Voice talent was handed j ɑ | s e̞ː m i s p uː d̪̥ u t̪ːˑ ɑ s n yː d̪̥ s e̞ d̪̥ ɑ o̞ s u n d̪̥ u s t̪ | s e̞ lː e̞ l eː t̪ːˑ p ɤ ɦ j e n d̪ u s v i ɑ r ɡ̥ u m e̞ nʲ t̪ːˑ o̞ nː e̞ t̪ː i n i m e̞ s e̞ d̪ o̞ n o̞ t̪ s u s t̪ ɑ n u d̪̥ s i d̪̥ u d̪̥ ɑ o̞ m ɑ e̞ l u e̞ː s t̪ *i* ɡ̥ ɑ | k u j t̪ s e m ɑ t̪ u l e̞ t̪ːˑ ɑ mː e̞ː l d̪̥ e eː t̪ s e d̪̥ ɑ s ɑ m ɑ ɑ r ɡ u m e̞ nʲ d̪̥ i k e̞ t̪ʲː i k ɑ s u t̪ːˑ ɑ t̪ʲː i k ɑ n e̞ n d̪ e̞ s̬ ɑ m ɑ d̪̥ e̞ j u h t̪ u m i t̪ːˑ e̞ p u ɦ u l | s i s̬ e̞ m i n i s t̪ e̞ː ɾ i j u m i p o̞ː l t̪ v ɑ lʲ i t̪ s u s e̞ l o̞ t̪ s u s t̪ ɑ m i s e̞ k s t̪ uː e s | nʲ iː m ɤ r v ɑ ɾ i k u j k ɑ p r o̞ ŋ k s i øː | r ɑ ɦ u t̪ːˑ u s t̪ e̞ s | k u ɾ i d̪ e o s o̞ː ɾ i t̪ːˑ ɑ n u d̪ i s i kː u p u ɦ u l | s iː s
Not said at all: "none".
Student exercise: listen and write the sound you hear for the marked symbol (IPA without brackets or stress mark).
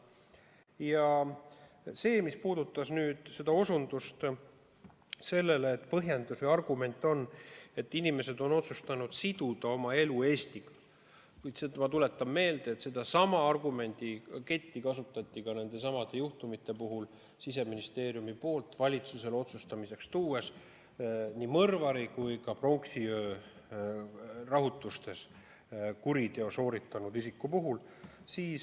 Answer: i